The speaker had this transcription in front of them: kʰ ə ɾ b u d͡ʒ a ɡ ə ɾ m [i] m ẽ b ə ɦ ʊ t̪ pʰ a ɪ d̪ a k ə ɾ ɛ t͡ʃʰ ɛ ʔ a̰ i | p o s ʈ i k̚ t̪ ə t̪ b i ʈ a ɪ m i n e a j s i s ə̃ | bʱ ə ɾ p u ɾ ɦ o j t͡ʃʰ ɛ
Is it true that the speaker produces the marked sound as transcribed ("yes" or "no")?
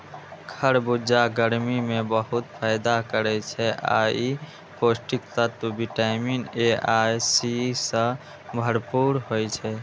yes